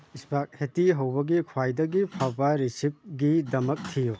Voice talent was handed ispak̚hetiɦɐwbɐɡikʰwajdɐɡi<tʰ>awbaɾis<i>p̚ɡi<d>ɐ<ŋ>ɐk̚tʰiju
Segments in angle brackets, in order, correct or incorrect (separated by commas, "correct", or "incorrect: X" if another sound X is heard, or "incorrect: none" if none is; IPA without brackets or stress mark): incorrect: pʰ, correct, correct, incorrect: m